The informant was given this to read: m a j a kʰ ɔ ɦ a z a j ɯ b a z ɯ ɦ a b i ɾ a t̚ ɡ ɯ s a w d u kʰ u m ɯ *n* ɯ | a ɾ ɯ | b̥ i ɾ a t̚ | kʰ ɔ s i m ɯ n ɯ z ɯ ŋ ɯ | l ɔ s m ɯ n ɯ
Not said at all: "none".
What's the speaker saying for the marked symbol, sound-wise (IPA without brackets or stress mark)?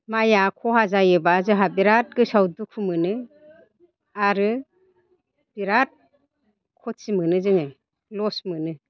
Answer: n